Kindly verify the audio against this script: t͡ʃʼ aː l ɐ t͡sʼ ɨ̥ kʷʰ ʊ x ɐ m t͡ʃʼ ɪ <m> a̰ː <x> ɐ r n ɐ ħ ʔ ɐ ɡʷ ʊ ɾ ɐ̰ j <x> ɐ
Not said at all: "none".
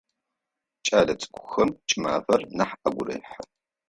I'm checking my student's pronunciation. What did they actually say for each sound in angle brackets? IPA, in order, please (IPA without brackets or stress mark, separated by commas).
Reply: m, f, ħ